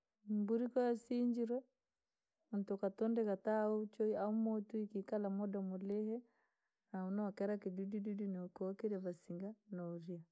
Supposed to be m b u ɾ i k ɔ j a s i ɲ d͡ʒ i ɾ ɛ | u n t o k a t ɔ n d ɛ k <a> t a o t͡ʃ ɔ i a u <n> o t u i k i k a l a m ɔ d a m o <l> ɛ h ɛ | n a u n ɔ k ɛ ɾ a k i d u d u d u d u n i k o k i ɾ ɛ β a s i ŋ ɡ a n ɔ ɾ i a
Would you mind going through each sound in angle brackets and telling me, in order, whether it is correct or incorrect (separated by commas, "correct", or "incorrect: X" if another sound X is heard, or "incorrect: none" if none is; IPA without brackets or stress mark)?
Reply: correct, incorrect: m, correct